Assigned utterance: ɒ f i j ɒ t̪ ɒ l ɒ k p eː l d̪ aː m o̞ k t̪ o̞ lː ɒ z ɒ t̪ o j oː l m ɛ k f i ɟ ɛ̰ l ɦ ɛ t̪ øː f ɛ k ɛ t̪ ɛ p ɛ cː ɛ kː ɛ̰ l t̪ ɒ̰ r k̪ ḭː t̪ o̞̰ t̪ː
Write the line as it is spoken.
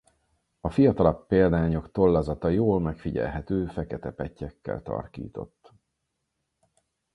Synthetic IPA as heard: ɒ f i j ɒ t̪ ɒ l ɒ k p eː l d̪ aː ɲ o̞ k t̪ o̞ lː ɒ z ɒ t̪ ɒ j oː l m ɛ k f i ɟ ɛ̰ l ɦ ɛ t̪ øː f ɛ k ɛ t̪ ɛ p ɛ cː ɛ kː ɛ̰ l t̪ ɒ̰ r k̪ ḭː t̪ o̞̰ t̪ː